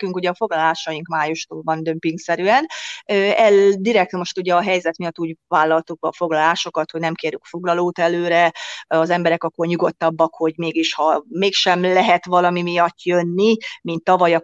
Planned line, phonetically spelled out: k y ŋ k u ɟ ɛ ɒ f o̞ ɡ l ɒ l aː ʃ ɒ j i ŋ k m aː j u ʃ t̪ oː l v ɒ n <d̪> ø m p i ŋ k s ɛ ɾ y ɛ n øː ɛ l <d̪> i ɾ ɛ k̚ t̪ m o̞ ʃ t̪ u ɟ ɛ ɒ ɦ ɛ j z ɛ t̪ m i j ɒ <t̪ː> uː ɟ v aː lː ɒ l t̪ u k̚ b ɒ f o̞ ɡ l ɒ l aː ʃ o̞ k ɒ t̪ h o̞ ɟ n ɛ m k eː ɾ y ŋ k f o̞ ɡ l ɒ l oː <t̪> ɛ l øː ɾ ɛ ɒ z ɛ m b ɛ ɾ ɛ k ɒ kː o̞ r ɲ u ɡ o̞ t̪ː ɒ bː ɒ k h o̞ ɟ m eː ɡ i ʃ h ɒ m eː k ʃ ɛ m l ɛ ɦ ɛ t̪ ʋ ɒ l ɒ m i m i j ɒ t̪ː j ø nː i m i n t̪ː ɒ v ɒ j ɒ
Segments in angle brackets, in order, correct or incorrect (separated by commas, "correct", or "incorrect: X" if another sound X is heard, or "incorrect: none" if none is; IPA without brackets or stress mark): correct, correct, correct, correct